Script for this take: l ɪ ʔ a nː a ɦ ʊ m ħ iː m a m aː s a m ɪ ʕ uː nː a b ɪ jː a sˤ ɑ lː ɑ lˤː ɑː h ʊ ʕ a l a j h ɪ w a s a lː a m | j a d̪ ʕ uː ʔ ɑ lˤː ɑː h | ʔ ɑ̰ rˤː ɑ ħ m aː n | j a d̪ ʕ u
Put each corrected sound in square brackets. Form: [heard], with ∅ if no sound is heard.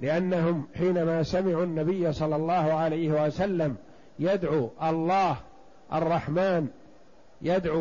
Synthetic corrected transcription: l ɪ ʔ a nː a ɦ ʊ m ħ iː [n] a m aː s a m ɪ ʕ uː nː a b ɪ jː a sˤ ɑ lː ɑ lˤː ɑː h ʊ ʕ a l a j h ɪ w a s a lː a m | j a d̪ ʕ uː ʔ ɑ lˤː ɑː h | ʔ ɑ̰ rˤː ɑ ħ m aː n | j a d̪ ʕ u